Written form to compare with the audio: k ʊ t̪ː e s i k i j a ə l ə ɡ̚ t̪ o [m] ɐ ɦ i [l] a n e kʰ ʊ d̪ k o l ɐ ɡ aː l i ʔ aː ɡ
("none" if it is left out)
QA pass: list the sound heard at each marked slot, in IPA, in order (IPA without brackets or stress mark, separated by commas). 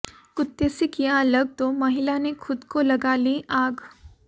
m, l